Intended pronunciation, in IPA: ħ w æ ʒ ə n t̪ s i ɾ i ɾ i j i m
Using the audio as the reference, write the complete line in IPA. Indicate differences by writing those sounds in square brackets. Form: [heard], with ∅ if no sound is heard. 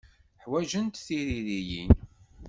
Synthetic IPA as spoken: ħ w æ ʒ ə n t̪ [θ] i ɾ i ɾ i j i [n]